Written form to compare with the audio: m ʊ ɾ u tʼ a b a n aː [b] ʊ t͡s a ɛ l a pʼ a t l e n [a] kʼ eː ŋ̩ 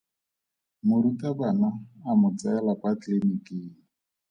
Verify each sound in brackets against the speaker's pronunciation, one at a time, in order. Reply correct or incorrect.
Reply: incorrect: m, incorrect: i

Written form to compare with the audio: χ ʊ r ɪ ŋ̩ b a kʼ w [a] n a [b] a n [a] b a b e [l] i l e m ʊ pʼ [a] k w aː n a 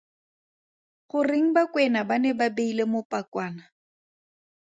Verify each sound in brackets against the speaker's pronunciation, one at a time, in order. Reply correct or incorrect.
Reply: incorrect: ɛ, correct, incorrect: ɛ, incorrect: none, correct

